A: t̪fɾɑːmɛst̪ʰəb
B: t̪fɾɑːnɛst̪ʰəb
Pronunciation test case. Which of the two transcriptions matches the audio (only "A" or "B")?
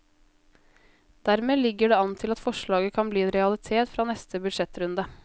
B